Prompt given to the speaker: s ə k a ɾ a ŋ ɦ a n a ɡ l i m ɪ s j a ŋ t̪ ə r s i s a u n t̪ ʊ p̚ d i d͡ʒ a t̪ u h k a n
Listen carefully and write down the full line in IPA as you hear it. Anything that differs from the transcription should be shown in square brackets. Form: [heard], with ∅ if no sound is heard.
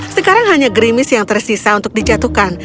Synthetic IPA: s ə k a ɾ a ŋ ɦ a [ɲ] a ɡ [ɾ] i m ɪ s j a ŋ t̪ ə r s i s a u n t̪ ʊ [k̚] d i d͡ʒ a t̪ u h k a n